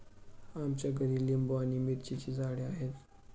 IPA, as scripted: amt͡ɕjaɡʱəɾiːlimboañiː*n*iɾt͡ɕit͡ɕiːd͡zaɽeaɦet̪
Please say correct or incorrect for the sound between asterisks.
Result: incorrect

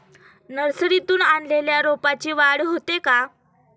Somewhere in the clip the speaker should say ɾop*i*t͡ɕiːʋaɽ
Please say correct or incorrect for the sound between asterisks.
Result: incorrect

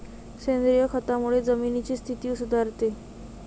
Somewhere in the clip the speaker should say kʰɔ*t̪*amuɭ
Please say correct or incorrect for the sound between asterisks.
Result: correct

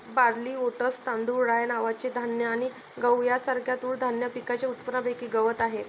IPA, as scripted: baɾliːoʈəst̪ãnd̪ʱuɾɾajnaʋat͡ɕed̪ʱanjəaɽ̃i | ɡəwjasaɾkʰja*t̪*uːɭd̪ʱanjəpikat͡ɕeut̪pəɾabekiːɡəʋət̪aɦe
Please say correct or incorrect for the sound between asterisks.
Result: correct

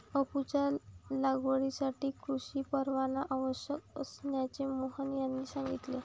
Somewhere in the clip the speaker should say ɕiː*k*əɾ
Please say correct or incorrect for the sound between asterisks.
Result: incorrect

